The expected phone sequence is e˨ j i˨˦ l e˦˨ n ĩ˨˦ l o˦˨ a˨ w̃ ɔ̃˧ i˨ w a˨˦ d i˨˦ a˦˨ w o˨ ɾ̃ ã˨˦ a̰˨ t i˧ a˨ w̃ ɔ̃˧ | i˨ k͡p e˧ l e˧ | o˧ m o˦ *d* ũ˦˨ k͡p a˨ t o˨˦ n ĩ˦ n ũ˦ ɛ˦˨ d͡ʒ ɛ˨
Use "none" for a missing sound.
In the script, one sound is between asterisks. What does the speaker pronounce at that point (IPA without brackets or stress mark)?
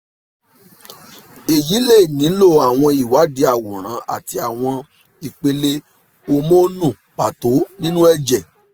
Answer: n